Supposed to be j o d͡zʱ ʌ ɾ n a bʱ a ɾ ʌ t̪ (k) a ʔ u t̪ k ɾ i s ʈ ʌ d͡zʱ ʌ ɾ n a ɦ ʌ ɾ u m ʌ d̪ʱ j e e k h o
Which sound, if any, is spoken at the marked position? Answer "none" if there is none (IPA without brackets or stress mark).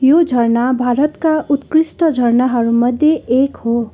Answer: k